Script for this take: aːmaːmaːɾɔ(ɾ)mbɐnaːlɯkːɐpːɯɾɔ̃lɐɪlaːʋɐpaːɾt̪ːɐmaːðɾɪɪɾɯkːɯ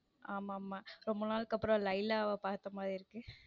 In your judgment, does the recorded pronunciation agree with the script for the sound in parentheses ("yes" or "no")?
no